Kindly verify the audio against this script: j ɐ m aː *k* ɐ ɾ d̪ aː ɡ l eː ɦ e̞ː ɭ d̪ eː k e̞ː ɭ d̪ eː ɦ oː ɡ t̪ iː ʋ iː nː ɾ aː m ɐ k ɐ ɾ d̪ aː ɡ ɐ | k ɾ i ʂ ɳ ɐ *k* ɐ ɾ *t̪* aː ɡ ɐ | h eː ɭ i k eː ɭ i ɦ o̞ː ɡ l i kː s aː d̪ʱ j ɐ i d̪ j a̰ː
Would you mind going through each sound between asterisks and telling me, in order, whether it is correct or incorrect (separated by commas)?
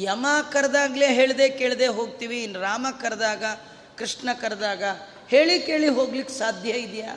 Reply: correct, correct, incorrect